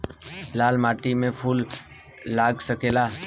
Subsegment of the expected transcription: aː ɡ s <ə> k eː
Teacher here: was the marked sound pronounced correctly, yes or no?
yes